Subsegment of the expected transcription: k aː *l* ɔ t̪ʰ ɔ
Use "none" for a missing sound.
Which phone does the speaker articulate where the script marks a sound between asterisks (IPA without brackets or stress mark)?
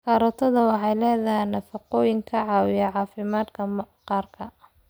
ɾ